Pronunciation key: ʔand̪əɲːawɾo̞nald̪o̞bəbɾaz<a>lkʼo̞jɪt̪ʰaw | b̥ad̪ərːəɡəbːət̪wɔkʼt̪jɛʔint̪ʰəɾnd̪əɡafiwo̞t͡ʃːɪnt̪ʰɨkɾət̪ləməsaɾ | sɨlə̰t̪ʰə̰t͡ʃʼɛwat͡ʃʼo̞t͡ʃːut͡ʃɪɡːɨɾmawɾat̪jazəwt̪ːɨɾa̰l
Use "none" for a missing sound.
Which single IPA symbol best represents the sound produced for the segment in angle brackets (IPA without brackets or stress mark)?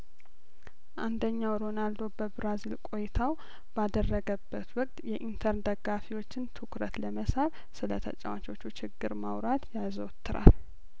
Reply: i